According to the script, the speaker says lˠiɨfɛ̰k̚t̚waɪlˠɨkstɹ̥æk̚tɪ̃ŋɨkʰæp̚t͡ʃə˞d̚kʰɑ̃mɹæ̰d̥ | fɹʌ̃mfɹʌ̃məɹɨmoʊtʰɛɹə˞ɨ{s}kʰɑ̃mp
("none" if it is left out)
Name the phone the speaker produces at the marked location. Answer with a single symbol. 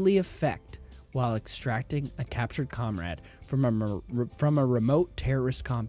s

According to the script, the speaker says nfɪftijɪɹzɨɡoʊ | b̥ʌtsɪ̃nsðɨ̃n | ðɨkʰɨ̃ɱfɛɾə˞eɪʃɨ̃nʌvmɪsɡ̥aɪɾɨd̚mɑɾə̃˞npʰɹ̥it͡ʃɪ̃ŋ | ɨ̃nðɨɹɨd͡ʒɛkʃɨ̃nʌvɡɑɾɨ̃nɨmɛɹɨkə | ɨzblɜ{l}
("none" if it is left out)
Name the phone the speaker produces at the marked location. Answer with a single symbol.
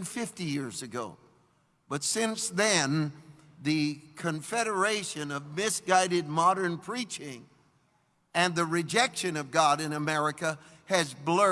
none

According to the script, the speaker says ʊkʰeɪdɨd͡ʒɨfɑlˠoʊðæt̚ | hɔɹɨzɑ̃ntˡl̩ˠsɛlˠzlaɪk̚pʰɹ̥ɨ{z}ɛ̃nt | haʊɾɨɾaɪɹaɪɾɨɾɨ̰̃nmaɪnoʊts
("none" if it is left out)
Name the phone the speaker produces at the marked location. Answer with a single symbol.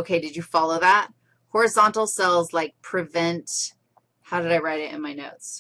v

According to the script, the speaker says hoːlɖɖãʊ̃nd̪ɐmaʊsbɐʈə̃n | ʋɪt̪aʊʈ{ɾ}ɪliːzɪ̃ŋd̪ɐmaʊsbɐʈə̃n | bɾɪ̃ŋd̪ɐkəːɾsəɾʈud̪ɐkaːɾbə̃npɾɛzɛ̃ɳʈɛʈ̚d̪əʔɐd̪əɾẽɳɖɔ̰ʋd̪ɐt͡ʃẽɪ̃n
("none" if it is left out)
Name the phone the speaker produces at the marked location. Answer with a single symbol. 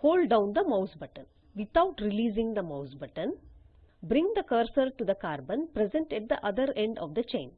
ɾ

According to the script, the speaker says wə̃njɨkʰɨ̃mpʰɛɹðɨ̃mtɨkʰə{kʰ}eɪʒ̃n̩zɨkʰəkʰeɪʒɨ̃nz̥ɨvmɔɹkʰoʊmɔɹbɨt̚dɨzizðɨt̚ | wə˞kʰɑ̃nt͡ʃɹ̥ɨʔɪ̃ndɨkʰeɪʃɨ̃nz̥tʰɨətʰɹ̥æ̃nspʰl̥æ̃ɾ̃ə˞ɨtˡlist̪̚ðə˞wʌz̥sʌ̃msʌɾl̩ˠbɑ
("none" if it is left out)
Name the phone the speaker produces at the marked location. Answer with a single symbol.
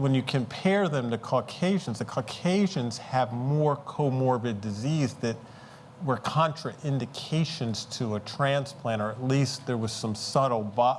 kʰ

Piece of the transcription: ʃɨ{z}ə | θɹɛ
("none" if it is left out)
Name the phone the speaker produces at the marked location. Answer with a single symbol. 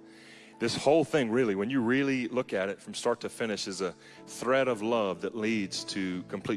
z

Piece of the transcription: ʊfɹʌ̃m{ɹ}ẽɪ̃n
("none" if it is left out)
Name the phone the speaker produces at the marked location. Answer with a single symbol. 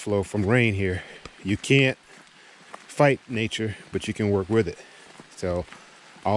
ɹ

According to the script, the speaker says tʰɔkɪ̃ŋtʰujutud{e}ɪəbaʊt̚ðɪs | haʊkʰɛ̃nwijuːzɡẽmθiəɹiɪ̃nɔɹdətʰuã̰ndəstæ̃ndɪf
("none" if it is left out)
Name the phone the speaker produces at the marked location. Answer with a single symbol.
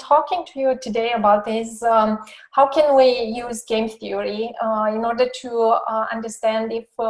e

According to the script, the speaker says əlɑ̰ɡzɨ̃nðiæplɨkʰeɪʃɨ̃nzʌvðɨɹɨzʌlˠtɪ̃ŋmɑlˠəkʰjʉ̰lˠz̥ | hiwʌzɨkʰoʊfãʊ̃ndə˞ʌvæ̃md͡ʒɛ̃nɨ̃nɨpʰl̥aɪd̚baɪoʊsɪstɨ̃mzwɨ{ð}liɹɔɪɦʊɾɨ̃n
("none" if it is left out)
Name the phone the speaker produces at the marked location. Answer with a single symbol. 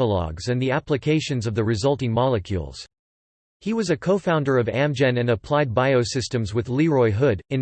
ð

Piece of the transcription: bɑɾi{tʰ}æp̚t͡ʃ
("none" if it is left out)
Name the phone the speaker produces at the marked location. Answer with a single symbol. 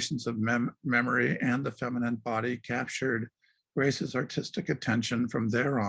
kʰ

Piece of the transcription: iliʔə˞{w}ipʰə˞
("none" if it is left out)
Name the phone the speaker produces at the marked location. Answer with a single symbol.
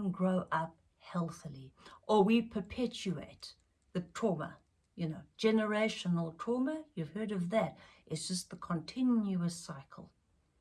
w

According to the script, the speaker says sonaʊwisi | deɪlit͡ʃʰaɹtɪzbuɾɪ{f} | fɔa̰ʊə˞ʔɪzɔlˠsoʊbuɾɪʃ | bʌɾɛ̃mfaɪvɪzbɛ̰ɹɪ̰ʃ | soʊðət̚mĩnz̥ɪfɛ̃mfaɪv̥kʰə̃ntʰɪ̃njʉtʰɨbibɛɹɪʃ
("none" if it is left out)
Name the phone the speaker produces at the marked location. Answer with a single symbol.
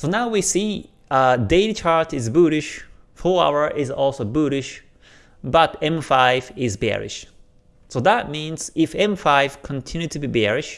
ʃ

